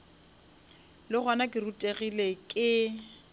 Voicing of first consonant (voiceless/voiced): voiced